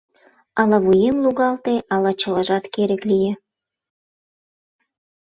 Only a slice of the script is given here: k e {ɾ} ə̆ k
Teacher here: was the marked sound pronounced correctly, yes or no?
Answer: yes